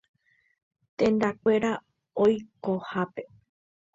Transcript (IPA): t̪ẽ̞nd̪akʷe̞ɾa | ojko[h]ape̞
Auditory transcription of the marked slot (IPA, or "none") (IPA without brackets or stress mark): h